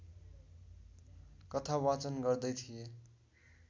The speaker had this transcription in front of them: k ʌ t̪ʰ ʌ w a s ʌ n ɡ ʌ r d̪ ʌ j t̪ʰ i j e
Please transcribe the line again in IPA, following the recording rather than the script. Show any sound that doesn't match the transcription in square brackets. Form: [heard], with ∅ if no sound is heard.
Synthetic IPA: k ʌ t̪ʰ [a] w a [t͡s] ʌ n ɡ ʌ r d̪ ʌ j t̪ʰ i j e